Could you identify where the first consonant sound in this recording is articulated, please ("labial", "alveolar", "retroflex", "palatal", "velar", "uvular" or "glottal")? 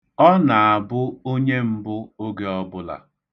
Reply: alveolar